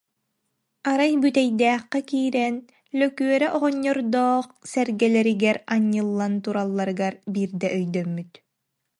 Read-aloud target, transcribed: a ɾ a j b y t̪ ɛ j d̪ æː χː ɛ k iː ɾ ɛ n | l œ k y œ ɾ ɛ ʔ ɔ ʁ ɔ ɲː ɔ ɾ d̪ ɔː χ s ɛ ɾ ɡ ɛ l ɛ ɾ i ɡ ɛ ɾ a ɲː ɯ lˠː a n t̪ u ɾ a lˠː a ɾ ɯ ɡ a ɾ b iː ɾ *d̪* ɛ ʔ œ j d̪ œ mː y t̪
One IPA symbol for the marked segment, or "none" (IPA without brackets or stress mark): d̪